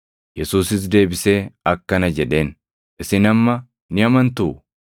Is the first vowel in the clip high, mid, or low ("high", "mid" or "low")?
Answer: mid